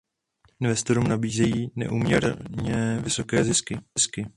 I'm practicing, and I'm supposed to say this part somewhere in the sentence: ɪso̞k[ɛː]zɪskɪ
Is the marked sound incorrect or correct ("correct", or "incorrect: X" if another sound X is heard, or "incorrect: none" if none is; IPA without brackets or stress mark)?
correct